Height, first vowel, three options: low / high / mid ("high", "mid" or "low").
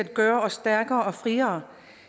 low